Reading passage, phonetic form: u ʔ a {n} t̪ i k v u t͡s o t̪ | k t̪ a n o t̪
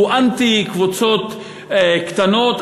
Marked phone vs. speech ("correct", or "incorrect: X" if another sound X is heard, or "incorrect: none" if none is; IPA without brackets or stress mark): correct